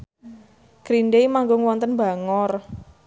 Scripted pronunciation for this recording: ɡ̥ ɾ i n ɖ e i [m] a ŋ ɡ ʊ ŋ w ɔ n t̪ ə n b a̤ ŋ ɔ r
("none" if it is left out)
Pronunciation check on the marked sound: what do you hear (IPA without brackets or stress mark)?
m